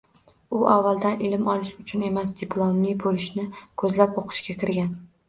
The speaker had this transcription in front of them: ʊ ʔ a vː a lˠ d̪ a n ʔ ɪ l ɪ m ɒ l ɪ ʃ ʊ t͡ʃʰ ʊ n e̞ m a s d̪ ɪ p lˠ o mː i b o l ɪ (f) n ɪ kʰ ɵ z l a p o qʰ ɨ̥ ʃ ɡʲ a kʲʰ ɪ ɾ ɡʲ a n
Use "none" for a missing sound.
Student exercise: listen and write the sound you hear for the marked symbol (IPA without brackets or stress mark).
ʃ